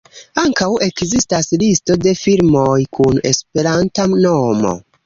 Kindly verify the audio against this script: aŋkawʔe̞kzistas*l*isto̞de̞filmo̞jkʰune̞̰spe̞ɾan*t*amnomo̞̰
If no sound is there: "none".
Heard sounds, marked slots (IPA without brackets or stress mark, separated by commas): l, t